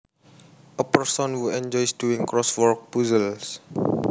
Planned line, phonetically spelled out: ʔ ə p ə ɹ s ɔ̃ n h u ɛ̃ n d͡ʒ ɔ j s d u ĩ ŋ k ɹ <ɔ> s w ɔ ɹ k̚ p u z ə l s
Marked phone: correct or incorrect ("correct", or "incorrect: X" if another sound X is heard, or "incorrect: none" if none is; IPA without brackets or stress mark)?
correct